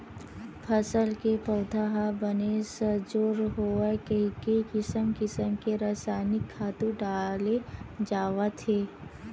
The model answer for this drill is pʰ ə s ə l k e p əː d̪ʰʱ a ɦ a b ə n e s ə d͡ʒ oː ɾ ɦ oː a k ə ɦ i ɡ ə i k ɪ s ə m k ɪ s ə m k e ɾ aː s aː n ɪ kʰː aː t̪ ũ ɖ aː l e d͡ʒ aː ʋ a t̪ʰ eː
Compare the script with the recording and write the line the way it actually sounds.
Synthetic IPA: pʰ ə s ə l k e p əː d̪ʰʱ a ɦ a b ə n e s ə d͡ʒ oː ɾ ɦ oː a k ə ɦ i k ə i k ɪ s ə m k ɪ s ə m k e ɾ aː s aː n ɪ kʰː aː t̪ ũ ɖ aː l e d͡ʒ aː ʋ a t̪ʰ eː

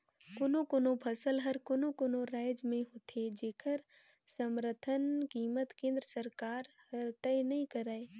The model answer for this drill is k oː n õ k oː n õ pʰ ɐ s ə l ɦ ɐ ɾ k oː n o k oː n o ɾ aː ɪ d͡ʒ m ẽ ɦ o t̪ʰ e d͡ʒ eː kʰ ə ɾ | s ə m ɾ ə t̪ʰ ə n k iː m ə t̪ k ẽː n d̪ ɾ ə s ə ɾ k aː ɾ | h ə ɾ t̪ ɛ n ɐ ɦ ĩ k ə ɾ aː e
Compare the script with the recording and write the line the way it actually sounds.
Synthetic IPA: k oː n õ k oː n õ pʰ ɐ s ə l ɦ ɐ ɾ k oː n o k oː n o ɾ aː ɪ d͡ʒ m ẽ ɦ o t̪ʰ e d͡ʒ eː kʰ ə ɾ | s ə m ɾ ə t̪ʰ ə n k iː m ə t̪ k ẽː n d̪ ɾ ə s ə ɾ k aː ɾ | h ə ɾ t̪ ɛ n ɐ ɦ ĩ k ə ɾ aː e

